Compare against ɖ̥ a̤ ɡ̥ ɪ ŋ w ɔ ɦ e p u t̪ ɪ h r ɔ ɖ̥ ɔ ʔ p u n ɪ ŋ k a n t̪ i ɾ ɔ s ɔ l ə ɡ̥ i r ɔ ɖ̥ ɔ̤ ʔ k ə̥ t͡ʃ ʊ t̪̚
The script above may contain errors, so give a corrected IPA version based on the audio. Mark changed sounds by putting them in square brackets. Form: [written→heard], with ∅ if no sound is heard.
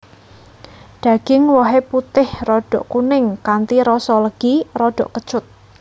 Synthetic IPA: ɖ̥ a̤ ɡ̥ ɪ ŋ w ɔ ɦ e p u t̪ ɪ h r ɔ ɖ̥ ɔ ʔ [p→k] u n ɪ ŋ k a n t̪ i ɾ ɔ s ɔ l ə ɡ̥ i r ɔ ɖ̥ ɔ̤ ʔ k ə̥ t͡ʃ ʊ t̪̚